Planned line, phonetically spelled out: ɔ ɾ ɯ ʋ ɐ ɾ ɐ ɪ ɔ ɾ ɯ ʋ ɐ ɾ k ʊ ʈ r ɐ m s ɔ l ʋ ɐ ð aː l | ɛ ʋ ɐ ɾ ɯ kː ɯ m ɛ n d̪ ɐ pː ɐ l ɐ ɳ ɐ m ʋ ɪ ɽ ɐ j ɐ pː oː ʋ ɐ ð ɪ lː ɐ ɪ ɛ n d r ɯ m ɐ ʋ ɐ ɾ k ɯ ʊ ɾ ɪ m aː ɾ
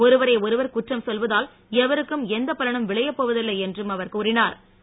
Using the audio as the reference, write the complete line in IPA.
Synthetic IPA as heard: ɔ ɾ ɯ ʋ ɐ ɾ ɐ ɪ ɔ ɾ ɯ ʋ ɐ ɾ k ʊ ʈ r ɐ m s ɔ l ʋ ɐ ð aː l | ɛ ʋ ɐ ɾ ɯ kː ɯ m ɛ n d̪ ɐ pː ɐ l ɐ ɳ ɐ m ʋ ɪ ɭ ɐ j ɐ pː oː ʋ ɐ ð ɪ lː ɐ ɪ ɛ n d r ɯ m ɐ ʋ ɐ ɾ k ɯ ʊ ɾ ɪ n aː ɾ